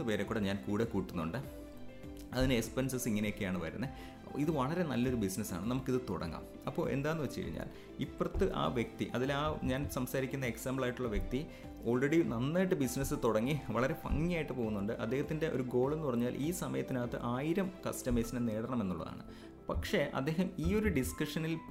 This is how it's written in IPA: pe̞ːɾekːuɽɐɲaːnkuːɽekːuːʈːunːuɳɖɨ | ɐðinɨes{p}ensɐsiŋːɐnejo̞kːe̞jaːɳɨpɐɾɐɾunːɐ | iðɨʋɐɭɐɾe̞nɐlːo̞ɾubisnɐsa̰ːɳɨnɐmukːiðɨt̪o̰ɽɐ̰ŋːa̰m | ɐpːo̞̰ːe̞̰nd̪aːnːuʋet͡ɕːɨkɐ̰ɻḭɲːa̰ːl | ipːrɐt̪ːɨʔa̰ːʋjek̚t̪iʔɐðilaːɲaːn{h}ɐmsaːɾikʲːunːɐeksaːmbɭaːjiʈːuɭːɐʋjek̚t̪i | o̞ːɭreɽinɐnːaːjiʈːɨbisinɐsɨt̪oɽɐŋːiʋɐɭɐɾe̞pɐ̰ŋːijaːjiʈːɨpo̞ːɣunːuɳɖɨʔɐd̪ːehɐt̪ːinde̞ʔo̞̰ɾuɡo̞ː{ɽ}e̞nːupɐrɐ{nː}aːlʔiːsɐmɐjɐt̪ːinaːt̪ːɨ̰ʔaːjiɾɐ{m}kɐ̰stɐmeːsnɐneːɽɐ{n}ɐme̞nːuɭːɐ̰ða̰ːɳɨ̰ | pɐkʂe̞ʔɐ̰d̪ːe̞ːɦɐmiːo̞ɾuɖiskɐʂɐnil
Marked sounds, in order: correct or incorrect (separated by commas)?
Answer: correct, incorrect, incorrect, incorrect, correct, incorrect